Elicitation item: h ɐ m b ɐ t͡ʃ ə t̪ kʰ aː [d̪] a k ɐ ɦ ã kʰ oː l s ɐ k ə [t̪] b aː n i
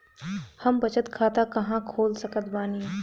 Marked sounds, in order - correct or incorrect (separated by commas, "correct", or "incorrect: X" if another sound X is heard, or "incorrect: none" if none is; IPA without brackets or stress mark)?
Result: incorrect: t̪, correct